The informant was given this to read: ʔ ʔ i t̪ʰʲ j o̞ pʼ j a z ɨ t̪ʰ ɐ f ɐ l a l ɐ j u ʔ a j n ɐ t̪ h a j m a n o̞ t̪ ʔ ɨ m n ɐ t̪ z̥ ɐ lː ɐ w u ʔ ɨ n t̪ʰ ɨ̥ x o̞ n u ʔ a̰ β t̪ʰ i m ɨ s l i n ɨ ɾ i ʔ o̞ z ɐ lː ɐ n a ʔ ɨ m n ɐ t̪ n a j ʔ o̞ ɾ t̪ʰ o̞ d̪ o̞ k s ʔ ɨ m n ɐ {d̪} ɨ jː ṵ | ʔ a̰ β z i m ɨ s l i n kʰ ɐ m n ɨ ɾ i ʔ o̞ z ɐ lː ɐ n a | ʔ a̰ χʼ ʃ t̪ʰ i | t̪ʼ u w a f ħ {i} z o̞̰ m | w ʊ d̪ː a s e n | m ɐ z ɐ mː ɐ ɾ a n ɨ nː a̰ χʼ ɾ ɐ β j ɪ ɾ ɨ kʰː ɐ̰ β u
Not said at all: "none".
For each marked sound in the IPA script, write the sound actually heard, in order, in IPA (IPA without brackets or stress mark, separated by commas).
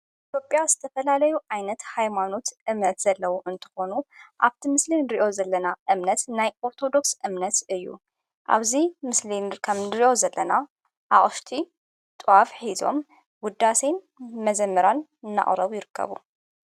t̪, i